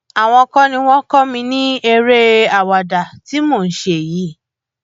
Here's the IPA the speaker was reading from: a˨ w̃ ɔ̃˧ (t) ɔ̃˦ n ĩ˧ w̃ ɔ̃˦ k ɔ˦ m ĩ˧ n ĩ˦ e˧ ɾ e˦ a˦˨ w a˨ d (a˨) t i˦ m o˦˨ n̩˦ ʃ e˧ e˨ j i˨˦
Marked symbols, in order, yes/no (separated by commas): no, yes